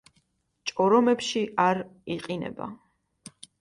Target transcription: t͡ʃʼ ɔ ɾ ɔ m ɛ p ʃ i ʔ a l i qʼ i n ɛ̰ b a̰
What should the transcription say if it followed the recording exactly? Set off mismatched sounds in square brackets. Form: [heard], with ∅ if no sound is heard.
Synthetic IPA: t͡ʃʼ ɔ ɾ ɔ m ɛ p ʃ i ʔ a [ɾ] i qʼ i n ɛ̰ b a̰